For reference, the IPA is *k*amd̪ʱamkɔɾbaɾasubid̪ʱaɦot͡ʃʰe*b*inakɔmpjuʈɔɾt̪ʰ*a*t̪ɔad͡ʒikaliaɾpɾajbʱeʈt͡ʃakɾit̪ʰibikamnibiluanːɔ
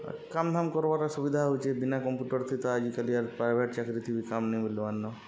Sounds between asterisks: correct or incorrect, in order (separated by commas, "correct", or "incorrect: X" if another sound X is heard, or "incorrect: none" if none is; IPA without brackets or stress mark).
correct, correct, incorrect: i